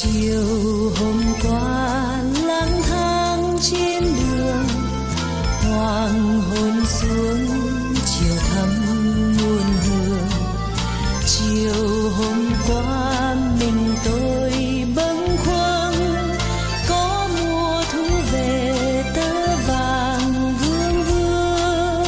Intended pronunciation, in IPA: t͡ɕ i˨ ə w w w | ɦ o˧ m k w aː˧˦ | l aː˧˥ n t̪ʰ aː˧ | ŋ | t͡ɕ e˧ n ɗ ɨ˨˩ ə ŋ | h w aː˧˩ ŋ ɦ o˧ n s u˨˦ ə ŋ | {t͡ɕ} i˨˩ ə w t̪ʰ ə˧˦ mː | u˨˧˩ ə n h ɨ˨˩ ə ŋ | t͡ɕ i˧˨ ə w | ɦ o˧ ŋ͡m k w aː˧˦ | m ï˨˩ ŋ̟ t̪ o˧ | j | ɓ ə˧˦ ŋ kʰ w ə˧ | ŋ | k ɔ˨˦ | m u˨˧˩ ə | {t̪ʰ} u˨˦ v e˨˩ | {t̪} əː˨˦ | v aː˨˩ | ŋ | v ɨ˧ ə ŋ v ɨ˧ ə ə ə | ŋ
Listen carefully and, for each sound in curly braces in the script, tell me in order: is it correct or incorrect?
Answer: correct, correct, correct

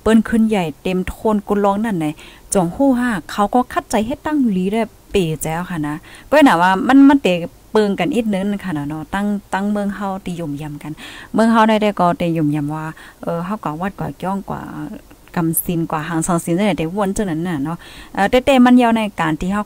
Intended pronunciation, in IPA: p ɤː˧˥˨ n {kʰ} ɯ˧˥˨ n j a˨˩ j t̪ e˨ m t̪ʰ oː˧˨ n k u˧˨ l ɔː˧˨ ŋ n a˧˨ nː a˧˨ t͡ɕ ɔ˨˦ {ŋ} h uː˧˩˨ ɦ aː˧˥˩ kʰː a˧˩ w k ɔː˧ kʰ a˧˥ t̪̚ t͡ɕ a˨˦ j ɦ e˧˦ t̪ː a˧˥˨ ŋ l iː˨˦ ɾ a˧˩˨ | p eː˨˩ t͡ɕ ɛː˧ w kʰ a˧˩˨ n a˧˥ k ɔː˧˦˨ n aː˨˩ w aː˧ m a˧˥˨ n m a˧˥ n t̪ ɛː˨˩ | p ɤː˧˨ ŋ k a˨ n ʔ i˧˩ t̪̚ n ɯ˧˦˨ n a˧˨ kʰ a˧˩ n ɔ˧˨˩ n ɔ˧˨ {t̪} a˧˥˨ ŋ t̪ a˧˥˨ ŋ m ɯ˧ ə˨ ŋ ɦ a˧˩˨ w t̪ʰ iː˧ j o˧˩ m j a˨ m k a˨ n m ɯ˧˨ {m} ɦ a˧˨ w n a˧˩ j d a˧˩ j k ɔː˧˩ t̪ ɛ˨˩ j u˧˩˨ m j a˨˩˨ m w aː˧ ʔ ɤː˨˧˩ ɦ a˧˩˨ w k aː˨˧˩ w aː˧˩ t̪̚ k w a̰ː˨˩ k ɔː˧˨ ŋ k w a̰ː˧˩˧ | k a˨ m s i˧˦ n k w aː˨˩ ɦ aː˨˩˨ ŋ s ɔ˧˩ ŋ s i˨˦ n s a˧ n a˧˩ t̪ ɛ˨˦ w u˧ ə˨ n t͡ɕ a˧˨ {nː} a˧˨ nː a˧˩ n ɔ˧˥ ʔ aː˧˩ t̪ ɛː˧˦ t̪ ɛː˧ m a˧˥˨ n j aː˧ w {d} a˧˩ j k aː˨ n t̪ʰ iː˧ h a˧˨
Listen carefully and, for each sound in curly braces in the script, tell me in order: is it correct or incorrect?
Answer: correct, correct, correct, incorrect: ŋ, incorrect: n, incorrect: n

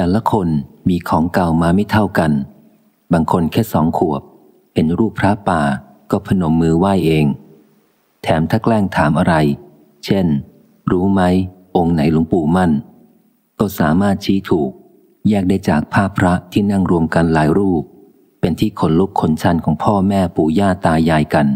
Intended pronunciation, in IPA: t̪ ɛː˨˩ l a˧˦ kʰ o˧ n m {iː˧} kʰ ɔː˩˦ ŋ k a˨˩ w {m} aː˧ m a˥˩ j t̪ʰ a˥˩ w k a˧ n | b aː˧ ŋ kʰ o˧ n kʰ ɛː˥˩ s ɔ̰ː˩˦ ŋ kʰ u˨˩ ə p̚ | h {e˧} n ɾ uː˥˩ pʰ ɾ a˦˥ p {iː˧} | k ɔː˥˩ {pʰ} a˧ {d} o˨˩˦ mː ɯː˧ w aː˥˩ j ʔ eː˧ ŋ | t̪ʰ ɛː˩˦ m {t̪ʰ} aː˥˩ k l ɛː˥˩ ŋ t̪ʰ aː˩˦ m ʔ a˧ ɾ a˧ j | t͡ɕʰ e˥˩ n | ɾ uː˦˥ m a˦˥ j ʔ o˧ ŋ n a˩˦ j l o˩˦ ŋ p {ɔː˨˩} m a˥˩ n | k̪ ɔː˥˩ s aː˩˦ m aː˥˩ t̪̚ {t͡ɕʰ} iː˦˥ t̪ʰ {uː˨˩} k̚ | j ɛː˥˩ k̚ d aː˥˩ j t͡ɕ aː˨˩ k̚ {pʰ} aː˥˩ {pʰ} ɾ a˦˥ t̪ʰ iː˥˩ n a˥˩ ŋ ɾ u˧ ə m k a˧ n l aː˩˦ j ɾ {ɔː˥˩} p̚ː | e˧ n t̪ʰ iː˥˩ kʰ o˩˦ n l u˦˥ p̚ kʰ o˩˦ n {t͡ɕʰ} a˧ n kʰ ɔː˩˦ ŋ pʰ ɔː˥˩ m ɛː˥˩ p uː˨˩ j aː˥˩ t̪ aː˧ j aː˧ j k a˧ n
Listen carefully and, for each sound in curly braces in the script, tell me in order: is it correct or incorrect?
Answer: correct, correct, correct, incorrect: aː˧, correct, incorrect: n, correct, incorrect: uː˨˩, correct, correct, correct, correct, incorrect: uː˥˩, correct

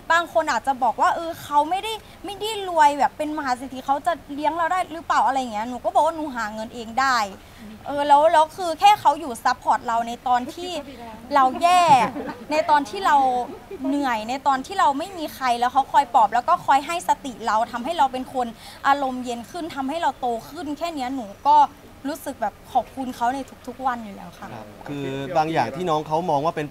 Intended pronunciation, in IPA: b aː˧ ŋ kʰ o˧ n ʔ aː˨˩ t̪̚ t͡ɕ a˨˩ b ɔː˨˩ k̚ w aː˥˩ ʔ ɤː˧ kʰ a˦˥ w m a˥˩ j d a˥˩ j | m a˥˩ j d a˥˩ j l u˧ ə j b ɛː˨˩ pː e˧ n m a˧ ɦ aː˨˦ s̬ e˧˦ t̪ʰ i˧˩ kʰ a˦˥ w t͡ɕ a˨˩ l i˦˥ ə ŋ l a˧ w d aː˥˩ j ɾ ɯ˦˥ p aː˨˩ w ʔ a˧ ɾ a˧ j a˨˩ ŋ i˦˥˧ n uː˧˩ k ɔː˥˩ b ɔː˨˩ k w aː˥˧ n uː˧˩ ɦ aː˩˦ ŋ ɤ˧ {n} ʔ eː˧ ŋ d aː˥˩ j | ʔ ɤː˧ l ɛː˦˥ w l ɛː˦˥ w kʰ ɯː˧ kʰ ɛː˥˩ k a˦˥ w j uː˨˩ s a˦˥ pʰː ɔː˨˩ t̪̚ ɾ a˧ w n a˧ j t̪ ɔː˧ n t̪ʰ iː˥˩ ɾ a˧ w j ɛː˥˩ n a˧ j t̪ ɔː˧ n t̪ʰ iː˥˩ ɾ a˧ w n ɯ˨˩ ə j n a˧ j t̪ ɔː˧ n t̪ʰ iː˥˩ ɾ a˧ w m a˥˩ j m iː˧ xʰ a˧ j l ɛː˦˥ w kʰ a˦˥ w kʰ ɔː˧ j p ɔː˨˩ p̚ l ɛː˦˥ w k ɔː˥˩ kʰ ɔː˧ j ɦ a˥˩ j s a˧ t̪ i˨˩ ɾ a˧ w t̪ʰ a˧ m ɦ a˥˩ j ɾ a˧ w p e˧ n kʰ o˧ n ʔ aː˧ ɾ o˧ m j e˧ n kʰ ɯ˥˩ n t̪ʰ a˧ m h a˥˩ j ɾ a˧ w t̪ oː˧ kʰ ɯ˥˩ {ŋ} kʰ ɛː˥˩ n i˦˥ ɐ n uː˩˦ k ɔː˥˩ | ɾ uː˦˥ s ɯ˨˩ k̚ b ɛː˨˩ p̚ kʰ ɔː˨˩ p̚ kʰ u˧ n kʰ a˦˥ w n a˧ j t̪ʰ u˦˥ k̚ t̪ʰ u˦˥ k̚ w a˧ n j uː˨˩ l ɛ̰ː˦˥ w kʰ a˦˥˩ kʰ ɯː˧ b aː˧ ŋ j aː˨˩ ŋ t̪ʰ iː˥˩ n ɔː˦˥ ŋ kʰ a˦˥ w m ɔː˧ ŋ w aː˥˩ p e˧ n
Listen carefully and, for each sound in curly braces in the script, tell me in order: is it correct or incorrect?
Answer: correct, incorrect: n

